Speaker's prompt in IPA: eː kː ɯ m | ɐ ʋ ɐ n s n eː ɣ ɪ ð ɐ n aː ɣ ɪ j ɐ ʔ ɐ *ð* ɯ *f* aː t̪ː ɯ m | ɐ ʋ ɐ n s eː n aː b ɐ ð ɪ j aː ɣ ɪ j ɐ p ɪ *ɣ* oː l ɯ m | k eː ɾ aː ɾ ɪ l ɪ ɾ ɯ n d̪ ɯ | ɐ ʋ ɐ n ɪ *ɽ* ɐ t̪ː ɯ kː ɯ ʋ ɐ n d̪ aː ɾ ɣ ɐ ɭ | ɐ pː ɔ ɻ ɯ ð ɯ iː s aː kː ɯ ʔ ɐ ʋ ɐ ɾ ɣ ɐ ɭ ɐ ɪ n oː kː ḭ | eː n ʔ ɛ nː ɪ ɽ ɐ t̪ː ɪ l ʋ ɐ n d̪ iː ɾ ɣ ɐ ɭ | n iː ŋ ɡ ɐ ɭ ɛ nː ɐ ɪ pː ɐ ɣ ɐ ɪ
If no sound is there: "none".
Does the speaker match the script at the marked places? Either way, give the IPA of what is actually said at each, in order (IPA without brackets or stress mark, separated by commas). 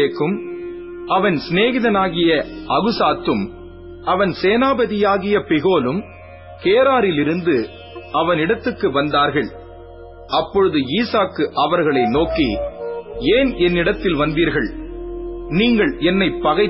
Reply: ɣ, s, ɣ, ɽ